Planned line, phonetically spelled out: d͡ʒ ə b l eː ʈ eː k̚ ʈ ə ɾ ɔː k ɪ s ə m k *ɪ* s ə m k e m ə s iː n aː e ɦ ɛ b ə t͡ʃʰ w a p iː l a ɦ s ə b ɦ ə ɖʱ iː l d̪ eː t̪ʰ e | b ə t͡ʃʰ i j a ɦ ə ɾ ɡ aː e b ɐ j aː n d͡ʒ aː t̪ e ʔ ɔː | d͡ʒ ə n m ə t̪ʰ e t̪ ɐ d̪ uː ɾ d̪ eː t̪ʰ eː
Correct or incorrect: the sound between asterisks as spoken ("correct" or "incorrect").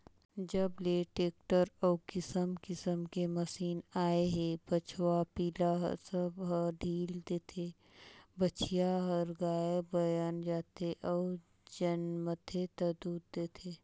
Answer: correct